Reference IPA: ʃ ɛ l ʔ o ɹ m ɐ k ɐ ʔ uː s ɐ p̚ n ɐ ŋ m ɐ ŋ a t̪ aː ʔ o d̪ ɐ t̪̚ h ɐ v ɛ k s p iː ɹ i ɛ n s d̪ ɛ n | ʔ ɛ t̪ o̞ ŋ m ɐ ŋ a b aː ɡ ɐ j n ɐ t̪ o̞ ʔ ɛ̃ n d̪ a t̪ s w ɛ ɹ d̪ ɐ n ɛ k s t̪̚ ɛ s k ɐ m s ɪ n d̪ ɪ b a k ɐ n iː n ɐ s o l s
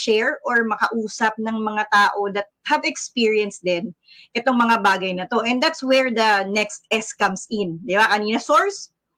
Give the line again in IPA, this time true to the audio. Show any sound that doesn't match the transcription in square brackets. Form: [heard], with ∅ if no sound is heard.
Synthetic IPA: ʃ ɛ [ɹ] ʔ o ɹ m ɐ k ɐ ʔ uː s ɐ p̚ n ɐ ŋ m ɐ ŋ a t̪ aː ʔ o d̪ ɐ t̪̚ h ɐ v ɛ k s p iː ɹ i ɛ n s d̪ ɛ n | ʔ ɛ t̪ o̞ ŋ m ɐ ŋ a b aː ɡ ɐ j n ɐ t̪ o̞ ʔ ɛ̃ n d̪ a t̪ s w ɛ ɹ d̪ ɐ n ɛ k s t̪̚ ɛ s k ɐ m s ɪ n d̪ ɪ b a k ɐ n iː n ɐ s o [ɹ] s